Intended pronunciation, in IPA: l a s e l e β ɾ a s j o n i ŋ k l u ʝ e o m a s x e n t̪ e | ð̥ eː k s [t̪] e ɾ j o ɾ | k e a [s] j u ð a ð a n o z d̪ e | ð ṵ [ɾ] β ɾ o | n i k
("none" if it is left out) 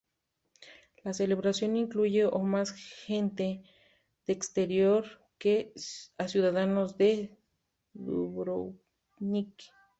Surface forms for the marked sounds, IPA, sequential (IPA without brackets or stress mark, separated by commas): t̪, s, none